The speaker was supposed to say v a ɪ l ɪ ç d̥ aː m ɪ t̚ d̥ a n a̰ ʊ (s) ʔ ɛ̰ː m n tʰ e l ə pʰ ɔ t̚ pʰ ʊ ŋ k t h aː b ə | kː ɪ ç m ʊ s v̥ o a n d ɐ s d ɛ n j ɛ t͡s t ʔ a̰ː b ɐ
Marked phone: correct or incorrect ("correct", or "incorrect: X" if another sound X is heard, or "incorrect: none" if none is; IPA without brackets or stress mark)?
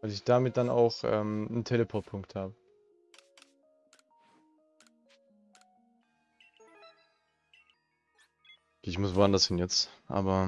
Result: incorrect: x